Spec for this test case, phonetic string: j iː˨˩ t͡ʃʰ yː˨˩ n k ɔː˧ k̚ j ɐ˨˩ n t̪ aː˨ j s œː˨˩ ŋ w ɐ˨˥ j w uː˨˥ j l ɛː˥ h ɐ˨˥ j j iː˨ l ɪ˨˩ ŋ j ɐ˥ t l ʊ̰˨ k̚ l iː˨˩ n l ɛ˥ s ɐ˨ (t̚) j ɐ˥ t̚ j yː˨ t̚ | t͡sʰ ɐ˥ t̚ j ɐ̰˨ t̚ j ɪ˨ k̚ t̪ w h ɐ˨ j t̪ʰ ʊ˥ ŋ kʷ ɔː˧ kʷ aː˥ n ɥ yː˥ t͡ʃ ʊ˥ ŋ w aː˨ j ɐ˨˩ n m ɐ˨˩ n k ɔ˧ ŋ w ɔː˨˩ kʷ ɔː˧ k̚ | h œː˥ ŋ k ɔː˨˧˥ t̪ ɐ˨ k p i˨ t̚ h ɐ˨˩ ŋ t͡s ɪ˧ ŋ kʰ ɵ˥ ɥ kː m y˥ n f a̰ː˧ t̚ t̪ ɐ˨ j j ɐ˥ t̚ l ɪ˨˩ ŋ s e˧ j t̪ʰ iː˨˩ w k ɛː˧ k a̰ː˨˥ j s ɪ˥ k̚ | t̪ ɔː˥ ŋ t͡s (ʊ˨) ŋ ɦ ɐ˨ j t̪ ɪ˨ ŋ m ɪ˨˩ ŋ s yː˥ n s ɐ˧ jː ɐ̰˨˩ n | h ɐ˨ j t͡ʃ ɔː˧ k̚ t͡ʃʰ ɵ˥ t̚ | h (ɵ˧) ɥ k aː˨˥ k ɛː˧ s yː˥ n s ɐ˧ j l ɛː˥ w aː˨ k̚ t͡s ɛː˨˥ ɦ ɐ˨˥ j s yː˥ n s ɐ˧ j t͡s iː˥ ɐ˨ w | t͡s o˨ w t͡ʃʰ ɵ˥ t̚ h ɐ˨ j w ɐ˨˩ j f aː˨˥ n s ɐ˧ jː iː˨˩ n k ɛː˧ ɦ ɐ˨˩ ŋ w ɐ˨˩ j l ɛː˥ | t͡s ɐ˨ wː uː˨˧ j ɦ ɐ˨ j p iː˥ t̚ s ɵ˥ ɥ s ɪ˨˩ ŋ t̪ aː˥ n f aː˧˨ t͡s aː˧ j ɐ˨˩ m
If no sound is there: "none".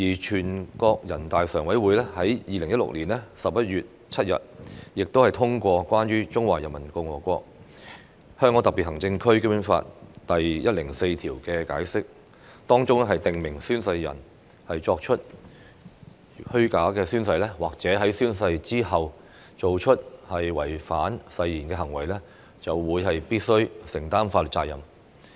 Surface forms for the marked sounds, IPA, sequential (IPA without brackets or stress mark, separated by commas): p̚, ʊ˥, ɵ˥